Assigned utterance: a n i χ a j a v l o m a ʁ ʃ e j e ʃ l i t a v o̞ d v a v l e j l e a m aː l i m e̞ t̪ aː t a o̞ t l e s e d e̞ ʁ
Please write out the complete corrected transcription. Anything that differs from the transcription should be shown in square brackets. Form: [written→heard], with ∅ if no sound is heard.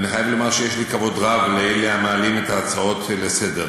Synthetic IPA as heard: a n i χ a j a v l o m a ʁ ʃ e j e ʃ l i [t→k] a v o̞ d [v→ʁ] a v l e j l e a m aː l i m e̞ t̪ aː [t→t͡s] a o̞ t l e s e d e̞ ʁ